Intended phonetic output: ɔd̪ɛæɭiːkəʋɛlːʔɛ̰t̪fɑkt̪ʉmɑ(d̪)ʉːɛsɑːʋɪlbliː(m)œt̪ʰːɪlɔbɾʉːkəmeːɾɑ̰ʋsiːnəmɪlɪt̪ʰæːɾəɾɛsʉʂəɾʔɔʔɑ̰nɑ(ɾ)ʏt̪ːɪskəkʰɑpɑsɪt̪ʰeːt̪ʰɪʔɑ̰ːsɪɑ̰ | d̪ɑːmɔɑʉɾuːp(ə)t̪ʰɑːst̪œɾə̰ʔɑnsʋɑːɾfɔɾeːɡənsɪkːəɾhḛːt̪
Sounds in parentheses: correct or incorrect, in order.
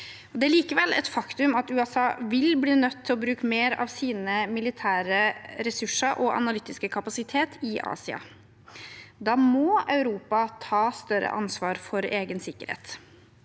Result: incorrect, incorrect, incorrect, incorrect

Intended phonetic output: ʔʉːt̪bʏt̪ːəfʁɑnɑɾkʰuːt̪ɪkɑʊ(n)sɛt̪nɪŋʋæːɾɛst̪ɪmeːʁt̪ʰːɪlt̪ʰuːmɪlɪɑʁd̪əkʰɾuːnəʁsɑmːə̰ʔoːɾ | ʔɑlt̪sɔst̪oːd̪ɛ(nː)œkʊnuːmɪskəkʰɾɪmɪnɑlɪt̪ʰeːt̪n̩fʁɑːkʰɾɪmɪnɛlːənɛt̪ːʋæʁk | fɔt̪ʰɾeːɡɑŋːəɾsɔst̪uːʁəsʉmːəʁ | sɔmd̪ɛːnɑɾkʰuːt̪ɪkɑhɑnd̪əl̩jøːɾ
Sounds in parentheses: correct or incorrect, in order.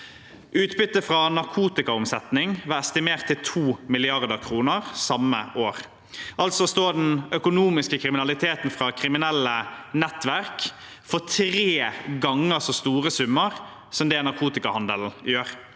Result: incorrect, incorrect

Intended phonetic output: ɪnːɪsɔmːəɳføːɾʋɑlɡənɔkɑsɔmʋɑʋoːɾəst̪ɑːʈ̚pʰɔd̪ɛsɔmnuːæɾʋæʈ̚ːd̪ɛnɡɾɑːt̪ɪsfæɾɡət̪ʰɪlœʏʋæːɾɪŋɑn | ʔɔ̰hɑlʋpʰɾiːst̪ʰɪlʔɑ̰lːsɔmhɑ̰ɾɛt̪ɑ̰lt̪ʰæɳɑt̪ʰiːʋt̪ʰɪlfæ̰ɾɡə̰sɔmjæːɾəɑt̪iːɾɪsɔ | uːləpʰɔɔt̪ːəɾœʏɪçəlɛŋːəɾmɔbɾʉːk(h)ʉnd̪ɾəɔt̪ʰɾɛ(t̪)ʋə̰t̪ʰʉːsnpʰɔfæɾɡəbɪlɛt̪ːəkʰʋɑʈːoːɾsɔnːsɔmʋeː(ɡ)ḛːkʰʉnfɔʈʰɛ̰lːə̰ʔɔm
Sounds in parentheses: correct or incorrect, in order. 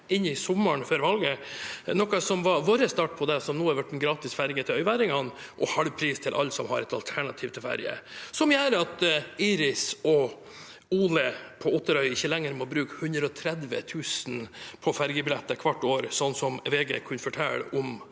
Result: correct, incorrect, correct

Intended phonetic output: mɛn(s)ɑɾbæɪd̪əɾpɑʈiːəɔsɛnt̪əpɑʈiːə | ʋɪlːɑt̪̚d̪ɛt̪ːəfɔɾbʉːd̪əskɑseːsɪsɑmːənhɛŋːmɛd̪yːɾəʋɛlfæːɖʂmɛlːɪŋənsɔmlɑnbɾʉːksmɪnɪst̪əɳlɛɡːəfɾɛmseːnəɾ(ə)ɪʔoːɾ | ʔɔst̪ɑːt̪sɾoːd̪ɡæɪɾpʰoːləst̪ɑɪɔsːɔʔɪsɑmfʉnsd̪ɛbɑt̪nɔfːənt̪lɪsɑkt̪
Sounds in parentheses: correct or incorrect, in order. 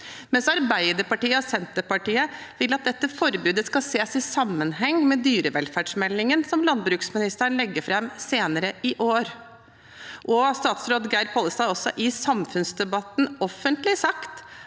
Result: correct, correct

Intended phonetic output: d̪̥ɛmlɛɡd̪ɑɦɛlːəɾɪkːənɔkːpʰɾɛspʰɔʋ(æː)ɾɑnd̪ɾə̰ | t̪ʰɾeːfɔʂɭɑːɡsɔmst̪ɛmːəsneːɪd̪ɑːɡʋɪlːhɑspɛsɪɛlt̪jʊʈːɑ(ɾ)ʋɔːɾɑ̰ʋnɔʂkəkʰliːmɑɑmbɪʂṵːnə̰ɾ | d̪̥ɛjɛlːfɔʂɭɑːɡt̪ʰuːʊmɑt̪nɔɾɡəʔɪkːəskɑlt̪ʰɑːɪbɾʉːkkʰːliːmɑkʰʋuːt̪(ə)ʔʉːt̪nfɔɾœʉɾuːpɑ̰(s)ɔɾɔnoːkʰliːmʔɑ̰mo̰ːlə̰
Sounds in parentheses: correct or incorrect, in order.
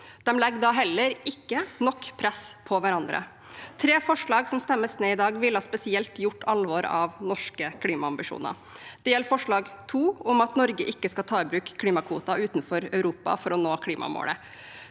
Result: incorrect, incorrect, incorrect, incorrect

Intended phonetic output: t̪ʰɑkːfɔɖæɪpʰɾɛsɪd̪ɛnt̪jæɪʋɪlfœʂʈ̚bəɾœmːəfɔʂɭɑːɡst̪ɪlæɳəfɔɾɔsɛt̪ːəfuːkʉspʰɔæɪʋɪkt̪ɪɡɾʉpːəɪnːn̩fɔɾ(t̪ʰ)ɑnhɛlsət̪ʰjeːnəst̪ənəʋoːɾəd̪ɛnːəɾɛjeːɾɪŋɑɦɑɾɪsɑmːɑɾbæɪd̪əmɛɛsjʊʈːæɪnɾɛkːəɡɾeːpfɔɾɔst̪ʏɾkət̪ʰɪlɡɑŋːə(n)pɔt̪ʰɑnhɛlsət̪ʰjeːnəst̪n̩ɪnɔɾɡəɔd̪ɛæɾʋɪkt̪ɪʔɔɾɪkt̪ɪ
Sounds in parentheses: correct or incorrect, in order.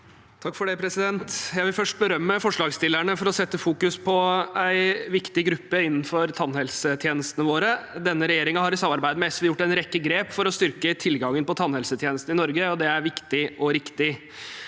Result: correct, correct

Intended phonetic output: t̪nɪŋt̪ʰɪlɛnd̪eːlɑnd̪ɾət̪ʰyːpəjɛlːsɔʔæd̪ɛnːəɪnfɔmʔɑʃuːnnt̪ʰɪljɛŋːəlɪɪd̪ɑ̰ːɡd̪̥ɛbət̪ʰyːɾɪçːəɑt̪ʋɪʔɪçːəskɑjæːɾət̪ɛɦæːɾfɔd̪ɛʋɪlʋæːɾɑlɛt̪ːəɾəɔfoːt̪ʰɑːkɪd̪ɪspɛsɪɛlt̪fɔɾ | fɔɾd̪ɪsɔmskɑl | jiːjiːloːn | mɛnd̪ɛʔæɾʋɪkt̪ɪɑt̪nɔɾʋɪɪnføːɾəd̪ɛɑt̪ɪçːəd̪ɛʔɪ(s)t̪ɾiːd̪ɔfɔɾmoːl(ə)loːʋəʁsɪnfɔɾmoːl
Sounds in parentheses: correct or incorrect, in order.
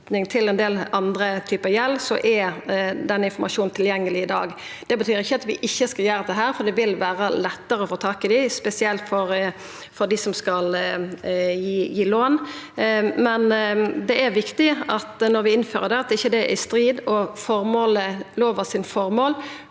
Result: correct, correct

